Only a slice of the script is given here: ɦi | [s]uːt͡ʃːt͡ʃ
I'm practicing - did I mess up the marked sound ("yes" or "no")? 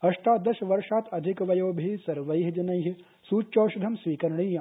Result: no